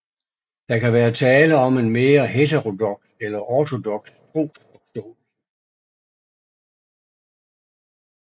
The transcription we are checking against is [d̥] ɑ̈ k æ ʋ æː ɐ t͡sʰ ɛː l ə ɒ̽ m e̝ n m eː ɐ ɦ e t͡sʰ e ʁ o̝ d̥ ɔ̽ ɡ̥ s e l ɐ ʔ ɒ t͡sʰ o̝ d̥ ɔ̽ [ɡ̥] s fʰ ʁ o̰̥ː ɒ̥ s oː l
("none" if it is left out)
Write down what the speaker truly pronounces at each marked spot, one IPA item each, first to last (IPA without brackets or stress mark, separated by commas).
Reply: d̥, ɡ̥